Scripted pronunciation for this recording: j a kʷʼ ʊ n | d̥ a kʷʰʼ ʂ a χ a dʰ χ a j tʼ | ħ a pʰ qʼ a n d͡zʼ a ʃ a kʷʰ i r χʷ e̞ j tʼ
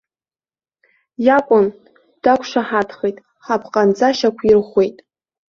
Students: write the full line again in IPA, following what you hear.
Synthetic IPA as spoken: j a kʷʼ ʊ n | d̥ a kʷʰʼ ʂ a ħ a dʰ χ e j tʼ | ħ a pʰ qʼ a n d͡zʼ a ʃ a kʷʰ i r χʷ e̞ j tʼ